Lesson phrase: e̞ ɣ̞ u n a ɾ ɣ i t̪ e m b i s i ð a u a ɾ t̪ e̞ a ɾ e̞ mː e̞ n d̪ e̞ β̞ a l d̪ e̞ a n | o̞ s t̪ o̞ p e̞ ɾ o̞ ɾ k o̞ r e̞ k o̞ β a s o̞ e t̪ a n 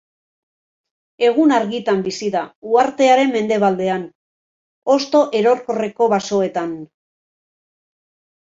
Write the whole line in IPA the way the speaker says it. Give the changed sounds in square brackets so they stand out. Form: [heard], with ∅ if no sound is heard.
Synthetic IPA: e̞ ɣ̞ u n a ɾ ɣ i t̪ [a] m b i s i ð a u a ɾ t̪ e̞ a ɾ e̞ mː e̞ n d̪ e̞ β̞ a l d̪ e̞ a n | o̞ s t̪ o̞ [ʔ] e̞ ɾ o̞ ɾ k o̞ r e̞ k o̞ β a s o̞ e t̪ a n